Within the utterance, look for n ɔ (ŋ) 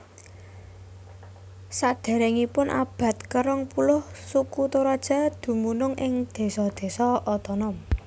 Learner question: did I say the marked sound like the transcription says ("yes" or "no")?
no